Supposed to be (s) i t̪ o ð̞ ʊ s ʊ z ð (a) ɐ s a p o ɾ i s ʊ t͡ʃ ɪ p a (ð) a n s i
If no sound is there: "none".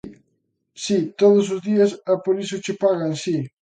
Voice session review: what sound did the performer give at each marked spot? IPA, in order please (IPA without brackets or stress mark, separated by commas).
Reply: s, i, ɣ